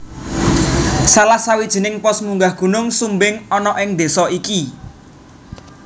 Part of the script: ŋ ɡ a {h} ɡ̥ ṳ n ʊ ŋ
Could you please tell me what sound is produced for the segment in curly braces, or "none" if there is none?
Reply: h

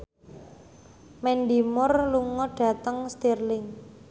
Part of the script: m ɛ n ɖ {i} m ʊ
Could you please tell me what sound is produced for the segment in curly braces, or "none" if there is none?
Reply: i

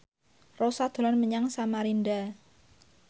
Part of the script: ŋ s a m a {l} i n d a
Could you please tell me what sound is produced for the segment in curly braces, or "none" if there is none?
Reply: ɾ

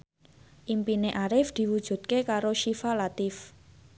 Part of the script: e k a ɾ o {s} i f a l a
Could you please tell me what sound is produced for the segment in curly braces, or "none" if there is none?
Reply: ʃ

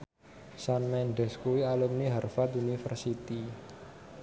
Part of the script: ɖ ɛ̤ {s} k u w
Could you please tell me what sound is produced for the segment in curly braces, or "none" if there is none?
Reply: s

